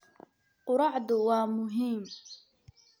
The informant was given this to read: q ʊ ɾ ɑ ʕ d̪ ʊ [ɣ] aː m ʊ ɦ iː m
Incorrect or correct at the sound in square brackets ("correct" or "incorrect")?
incorrect